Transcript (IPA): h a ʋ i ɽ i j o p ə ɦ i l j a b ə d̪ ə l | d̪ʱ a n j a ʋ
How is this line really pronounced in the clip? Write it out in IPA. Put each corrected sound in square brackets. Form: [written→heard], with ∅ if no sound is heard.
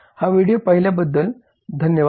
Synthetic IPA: h a ʋ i ɽ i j o p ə ɦ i l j a b ə [d̪→d̪ː] ə l | d̪ʱ [a→ə] n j [a→ə] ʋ